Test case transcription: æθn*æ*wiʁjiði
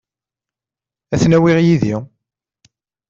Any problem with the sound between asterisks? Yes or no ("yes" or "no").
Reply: no